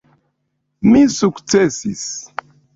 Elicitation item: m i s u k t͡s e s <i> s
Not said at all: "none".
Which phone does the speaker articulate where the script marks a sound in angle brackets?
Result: i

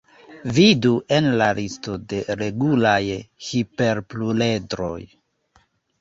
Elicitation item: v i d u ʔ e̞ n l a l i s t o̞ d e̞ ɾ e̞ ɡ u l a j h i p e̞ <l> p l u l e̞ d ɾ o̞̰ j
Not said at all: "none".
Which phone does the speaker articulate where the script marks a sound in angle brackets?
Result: ɾ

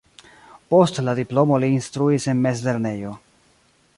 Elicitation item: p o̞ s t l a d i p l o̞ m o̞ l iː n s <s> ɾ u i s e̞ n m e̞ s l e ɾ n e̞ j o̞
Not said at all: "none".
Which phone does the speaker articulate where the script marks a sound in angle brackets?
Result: t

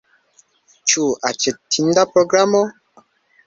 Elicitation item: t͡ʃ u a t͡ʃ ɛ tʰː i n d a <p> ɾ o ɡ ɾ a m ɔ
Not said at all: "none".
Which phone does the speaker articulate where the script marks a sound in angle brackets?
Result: p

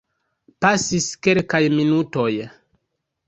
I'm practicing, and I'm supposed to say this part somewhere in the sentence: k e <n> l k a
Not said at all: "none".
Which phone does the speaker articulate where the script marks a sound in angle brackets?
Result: none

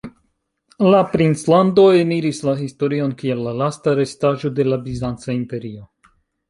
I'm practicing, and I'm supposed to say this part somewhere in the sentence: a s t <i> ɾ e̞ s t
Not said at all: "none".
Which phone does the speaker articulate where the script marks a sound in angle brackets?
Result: a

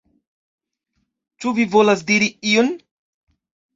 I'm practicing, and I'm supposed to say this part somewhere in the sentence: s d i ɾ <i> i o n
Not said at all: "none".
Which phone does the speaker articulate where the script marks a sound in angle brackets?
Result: i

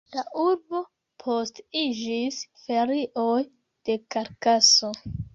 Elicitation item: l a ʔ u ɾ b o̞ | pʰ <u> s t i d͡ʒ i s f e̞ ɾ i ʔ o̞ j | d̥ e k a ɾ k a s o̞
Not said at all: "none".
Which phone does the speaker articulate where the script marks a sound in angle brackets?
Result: o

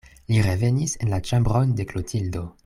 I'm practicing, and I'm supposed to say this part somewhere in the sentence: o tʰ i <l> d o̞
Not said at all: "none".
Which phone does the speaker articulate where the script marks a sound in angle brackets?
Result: l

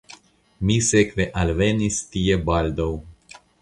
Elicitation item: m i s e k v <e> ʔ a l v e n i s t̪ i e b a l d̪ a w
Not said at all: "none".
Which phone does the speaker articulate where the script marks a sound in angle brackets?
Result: e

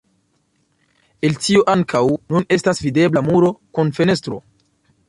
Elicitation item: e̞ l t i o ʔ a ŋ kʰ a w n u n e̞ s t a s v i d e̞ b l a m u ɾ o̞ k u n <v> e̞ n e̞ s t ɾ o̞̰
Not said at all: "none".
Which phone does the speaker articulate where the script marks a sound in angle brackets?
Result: f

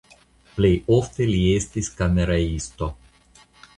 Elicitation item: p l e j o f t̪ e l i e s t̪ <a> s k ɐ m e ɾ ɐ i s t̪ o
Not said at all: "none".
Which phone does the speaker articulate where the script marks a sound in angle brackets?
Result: i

